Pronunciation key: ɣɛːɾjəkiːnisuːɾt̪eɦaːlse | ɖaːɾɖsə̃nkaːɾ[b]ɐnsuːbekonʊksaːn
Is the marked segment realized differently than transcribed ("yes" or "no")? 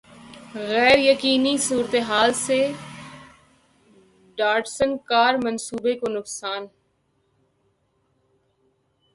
yes